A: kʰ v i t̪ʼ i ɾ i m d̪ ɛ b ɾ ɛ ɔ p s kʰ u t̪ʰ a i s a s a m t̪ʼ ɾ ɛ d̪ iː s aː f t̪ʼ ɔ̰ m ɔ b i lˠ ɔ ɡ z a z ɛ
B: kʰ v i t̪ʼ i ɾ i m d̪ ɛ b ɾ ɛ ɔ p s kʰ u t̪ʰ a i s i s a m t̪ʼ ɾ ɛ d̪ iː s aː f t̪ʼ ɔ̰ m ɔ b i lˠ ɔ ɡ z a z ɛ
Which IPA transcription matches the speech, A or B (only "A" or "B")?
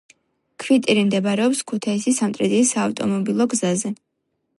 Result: B